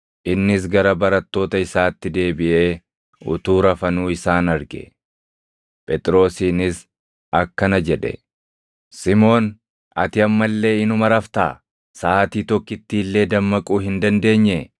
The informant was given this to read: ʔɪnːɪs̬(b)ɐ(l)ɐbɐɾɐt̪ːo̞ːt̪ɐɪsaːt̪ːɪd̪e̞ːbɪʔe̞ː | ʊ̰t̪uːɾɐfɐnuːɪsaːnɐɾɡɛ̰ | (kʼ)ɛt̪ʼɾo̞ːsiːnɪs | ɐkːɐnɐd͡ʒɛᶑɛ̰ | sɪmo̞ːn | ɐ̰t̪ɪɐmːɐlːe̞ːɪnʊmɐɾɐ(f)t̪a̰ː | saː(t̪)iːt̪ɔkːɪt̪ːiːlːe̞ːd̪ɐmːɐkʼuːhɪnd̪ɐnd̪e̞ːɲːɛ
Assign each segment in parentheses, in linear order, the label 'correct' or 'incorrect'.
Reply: incorrect, incorrect, incorrect, correct, correct

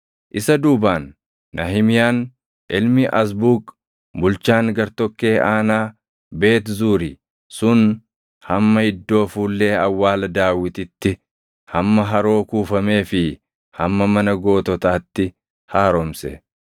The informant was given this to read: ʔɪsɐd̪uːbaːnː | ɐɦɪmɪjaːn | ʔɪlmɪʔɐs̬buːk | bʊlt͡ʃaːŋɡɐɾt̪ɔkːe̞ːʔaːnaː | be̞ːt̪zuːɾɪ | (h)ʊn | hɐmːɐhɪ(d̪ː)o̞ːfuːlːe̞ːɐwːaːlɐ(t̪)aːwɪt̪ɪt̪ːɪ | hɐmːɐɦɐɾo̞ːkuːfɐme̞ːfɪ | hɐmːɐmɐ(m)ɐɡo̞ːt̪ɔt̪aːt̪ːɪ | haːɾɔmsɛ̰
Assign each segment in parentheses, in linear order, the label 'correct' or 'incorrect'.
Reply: incorrect, correct, incorrect, incorrect

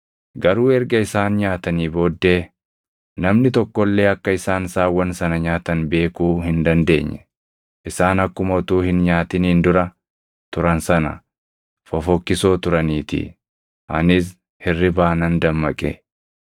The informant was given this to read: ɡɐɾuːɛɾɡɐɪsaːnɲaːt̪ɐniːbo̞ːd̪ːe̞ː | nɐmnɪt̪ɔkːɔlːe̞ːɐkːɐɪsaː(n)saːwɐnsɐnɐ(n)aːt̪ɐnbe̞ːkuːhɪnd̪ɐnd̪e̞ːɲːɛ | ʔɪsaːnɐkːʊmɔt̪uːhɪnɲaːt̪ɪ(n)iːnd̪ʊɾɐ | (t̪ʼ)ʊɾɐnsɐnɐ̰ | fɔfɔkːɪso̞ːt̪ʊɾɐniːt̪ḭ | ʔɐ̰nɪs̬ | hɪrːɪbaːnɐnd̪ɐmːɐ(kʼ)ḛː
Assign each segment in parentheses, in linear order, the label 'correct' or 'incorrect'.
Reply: correct, incorrect, correct, incorrect, correct

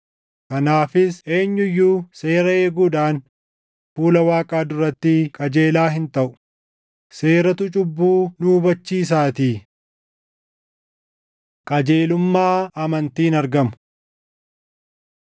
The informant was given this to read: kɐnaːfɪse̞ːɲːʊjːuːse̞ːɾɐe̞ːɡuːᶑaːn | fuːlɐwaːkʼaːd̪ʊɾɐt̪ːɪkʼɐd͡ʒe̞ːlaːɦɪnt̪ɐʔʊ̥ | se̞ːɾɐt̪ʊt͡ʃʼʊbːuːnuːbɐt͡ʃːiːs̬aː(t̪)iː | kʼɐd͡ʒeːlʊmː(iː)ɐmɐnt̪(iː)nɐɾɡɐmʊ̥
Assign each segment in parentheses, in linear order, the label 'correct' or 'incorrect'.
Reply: correct, incorrect, correct

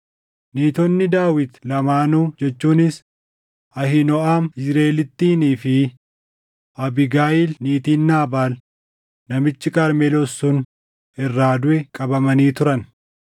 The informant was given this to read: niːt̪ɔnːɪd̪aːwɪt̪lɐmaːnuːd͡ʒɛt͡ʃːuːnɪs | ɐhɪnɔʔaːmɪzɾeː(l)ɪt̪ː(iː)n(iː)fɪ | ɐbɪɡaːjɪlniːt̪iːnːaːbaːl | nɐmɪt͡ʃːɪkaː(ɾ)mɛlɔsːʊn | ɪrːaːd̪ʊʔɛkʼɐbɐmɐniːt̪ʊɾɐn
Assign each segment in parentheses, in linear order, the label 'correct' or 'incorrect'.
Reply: correct, correct, correct, correct

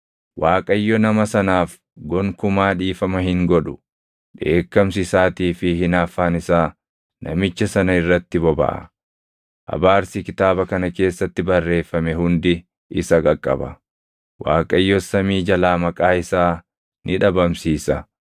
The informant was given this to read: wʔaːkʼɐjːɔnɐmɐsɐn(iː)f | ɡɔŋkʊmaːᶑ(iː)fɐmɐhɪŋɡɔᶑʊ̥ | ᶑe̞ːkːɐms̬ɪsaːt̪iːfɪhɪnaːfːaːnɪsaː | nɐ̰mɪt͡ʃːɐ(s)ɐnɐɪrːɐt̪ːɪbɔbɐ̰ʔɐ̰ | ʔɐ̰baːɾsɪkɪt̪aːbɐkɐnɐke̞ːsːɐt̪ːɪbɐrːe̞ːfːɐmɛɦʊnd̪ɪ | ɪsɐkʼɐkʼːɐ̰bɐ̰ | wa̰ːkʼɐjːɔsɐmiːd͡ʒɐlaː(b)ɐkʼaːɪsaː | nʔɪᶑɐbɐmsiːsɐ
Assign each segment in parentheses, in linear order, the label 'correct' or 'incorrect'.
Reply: incorrect, correct, correct, incorrect

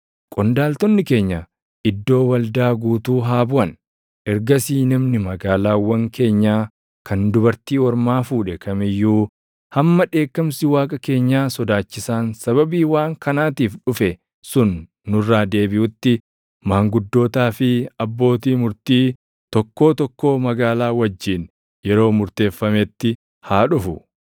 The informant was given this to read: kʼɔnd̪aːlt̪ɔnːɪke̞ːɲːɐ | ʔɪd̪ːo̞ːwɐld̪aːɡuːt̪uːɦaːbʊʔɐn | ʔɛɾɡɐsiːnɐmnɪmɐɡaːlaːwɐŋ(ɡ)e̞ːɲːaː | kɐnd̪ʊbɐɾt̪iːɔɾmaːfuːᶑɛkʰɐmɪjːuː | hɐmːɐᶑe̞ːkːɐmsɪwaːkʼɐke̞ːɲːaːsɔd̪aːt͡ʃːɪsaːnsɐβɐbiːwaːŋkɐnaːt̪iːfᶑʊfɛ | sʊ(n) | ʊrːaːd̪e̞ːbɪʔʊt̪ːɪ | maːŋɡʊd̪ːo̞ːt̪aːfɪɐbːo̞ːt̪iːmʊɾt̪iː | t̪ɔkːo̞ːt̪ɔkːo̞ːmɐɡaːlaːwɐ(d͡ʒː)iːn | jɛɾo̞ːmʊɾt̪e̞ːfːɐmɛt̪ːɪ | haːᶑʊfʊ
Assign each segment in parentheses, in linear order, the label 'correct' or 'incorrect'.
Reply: incorrect, incorrect, correct

